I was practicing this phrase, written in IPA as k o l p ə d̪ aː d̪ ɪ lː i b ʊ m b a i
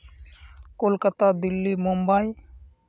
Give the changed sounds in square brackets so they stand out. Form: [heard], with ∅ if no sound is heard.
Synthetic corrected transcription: k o l [k] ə [t̪] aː d̪ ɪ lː i [m] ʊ m b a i